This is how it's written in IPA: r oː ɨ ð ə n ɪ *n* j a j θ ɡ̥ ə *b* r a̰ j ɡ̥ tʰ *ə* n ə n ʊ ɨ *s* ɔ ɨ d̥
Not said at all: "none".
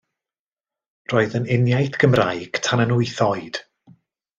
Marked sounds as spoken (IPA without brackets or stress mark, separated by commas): n, m, a, θ